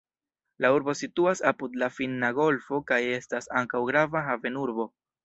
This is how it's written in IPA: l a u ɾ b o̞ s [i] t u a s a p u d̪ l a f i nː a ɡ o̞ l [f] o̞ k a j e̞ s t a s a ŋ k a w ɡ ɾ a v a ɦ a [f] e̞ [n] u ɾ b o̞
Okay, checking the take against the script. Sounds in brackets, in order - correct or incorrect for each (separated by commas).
correct, correct, incorrect, correct